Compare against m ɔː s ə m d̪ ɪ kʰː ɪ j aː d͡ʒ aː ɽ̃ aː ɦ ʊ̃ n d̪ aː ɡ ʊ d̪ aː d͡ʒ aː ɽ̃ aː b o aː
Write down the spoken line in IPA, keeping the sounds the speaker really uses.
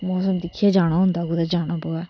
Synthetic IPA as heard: m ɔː s ə m d̪ ɪ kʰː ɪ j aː d͡ʒ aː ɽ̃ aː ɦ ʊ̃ n d̪ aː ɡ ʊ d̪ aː d͡ʒ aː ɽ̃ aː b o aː

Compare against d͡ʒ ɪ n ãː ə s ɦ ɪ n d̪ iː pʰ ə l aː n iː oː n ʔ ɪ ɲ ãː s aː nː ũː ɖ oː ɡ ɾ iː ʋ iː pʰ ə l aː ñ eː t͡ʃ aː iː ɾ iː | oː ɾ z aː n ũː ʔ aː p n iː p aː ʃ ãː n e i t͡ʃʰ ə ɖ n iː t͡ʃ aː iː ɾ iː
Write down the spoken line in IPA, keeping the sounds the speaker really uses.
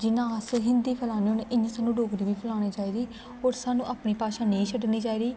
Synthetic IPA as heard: d͡ʒ ɪ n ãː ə s ɦ ɪ n d̪ iː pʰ ə l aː n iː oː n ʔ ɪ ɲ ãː s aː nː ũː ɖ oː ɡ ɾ iː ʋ iː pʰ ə l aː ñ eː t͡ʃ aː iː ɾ iː | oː ɾ s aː n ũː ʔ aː p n iː p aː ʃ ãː n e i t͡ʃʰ ə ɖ n iː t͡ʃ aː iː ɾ iː

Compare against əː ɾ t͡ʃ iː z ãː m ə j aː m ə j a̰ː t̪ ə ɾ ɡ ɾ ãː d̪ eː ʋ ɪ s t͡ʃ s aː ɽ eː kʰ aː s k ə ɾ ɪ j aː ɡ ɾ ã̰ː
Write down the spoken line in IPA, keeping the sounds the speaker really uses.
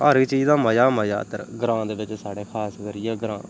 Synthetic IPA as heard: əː ɾ t͡ʃ iː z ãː m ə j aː m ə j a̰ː t̪ ə ɾ ɡ ɾ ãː d̪ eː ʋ ɪ t͡ʃ s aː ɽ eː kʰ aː s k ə ɾ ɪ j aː ɡ ɾ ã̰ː

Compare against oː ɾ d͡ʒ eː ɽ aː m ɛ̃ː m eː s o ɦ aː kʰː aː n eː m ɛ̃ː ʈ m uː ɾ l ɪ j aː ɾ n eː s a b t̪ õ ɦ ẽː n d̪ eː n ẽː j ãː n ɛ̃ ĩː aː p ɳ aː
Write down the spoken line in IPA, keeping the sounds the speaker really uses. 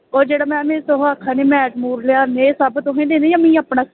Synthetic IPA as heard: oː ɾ d͡ʒ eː ɽ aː m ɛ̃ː m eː s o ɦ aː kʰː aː n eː m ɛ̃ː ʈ m uː ɾ l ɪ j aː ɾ n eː s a b t̪ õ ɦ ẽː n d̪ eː n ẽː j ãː m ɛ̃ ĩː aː p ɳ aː

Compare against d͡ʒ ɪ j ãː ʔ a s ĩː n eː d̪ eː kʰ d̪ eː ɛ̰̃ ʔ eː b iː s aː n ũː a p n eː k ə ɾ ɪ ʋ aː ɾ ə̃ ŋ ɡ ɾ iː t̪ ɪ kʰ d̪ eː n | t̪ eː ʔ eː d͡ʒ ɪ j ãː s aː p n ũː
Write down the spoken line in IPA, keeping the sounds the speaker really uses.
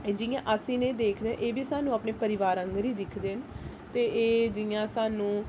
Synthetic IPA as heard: d͡ʒ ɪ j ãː ʔ ə s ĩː n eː d̪ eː kʰ d̪ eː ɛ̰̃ ʔ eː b iː s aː n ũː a p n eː p ə ɾ ɪ ʋ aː ɾ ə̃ ŋ ɡ ɾ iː d̪ ɪ kʰ d̪ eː n | t̪ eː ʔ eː d͡ʒ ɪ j ãː s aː n ũː

